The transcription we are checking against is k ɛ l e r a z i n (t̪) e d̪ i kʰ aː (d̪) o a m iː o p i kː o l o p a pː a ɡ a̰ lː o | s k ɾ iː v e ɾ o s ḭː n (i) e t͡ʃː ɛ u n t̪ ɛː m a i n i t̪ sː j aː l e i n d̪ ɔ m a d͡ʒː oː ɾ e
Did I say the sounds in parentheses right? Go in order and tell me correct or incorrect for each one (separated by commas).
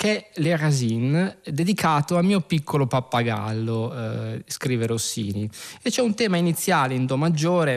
incorrect, incorrect, correct